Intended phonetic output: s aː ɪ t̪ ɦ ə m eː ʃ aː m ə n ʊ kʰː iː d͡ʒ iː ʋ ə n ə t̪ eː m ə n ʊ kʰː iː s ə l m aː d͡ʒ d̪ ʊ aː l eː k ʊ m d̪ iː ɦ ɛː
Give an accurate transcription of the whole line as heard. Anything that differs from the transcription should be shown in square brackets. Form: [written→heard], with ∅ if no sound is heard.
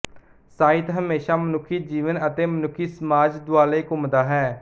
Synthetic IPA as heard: s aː ɪ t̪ ɦ ə m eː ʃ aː m ə n ʊ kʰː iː d͡ʒ iː ʋ ə n ə t̪ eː m ə n ʊ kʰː iː s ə [l→∅] m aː d͡ʒ d̪ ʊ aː l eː k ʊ m d̪ [iː→aː] ɦ ɛː